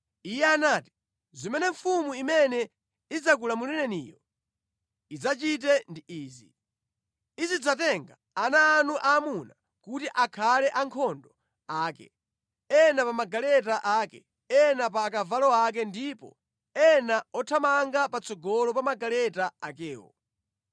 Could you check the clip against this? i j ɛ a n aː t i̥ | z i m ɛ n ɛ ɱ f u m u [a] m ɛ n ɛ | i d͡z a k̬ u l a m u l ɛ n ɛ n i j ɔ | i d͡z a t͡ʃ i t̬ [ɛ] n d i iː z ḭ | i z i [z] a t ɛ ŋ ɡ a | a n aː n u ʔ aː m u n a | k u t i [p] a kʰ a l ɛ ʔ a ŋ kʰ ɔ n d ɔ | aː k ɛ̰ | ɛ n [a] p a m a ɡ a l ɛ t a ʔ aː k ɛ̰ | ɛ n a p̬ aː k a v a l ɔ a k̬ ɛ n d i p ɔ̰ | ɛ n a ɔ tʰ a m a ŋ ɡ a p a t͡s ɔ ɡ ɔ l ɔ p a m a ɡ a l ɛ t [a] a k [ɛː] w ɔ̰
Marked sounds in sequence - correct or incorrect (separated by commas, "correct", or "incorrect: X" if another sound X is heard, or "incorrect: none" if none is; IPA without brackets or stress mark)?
incorrect: i, correct, incorrect: d͡z, incorrect: ʔ, correct, correct, correct